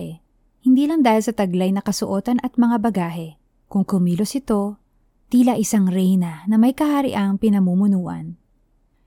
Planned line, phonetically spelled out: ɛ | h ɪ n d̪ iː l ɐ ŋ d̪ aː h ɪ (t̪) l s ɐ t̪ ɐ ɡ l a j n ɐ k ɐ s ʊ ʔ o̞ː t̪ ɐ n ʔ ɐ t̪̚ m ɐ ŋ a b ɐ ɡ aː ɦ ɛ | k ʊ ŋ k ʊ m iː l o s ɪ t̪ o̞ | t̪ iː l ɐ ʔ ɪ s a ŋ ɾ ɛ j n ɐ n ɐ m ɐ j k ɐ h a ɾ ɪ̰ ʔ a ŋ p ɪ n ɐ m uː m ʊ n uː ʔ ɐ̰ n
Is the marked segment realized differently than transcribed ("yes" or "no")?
yes